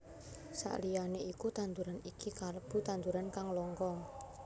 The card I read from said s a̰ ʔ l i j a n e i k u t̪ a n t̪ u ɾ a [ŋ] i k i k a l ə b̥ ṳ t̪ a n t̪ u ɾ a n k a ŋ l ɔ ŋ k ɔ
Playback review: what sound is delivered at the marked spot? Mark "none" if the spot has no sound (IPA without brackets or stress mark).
n